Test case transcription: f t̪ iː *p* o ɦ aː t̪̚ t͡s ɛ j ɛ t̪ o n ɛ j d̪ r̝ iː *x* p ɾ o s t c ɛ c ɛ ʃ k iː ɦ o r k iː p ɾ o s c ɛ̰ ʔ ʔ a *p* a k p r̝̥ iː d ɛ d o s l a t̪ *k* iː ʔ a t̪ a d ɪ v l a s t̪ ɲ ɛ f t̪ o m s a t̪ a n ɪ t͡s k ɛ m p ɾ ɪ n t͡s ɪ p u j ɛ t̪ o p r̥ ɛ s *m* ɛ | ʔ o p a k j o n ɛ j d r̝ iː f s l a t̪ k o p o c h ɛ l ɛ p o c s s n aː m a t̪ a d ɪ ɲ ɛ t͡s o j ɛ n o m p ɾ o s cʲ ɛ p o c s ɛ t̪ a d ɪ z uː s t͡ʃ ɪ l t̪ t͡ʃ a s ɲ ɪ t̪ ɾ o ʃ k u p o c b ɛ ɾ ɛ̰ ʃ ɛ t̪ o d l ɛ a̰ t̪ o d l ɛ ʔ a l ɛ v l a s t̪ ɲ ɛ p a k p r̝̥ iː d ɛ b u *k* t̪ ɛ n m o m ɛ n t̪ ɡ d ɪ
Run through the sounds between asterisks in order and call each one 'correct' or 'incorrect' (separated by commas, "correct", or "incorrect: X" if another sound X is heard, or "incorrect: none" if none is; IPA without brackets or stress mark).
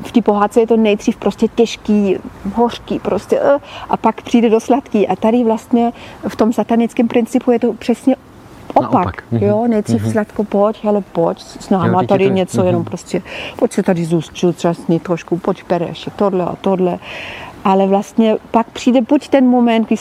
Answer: correct, incorrect: f, correct, correct, incorrect: ɲ, incorrect: c